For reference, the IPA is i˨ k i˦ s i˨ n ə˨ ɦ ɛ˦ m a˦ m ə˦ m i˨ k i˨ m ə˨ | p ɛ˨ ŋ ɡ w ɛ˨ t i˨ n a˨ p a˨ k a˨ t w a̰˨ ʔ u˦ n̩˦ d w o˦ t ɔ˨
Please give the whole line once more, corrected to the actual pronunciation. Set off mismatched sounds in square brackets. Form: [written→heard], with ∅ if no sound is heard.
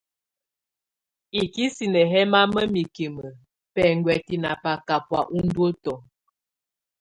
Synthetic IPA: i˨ k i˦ s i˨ n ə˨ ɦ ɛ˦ m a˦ m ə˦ m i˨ k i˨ m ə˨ | p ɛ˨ ŋ ɡ w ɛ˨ t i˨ n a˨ p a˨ k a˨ [t→p] w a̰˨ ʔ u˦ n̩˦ d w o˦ t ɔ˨

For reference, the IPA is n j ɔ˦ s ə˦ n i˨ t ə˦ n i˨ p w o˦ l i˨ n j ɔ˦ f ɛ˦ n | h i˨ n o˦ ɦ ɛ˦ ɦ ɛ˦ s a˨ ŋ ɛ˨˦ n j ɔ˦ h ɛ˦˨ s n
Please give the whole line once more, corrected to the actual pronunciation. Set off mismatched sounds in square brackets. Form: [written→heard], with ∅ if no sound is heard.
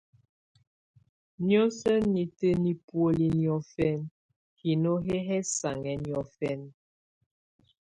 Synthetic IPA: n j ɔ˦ s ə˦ n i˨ t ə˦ n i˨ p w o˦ l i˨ n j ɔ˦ f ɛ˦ n | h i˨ n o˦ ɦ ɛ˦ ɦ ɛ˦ s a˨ ŋ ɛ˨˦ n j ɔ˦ [h→f] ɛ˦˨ [s→∅] n

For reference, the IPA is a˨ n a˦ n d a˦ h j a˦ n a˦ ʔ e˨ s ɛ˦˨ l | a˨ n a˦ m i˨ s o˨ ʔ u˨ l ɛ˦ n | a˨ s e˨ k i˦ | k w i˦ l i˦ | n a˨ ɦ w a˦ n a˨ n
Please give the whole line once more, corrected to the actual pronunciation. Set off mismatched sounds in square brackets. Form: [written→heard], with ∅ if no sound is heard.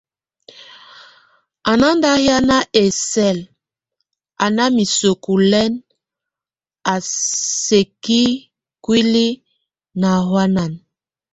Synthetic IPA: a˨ n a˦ n d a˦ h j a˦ n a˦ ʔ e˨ s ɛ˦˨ l | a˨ n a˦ m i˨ s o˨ [ʔ→k] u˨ l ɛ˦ n | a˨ s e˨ k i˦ | k w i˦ l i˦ | n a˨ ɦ w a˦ n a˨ n

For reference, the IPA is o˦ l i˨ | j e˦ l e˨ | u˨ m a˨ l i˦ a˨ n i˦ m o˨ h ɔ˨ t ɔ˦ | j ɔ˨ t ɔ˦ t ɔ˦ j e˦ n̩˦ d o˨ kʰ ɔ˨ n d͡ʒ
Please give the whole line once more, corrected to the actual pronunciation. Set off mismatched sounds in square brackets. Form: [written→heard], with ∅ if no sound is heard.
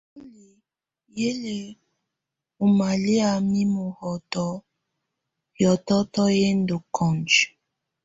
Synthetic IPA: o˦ l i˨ | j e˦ l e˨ | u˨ m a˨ l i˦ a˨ [n→m] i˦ m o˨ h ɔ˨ t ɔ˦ | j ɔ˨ t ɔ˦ t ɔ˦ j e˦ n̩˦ d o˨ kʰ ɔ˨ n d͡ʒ

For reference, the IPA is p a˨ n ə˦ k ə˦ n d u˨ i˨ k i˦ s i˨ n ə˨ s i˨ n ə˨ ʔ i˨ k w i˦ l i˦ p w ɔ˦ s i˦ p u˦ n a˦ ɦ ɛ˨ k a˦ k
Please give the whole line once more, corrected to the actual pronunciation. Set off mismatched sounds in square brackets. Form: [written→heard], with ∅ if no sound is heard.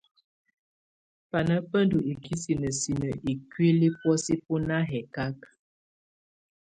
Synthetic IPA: p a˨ n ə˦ [k→p] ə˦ n d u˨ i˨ k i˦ s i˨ n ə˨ s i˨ n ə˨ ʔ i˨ k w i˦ l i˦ p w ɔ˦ s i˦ p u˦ n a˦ ɦ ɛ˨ k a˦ k

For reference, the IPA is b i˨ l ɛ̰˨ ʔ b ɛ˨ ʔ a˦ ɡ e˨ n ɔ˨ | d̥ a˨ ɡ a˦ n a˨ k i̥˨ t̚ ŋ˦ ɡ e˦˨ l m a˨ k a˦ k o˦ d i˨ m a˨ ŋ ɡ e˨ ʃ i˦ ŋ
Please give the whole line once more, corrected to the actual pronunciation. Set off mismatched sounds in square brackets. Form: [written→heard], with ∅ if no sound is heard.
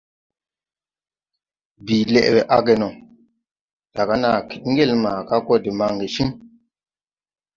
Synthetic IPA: b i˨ l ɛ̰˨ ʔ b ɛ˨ ʔ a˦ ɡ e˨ n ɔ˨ | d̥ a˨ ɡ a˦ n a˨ k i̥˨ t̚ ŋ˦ ɡ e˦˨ l m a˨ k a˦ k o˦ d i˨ m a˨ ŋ ɡ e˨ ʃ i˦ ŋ

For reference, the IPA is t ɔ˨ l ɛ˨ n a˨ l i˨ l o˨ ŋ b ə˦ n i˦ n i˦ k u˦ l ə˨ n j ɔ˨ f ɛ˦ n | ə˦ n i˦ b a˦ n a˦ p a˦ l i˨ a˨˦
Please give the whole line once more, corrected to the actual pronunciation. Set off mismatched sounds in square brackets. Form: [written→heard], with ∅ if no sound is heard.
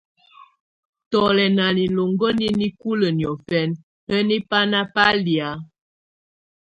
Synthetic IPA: t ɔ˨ l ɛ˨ n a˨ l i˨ l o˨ ŋ [b→ɡ] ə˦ n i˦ n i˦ k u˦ l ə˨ n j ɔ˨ f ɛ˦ n | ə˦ n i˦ [b→p] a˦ n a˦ p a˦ l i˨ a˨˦

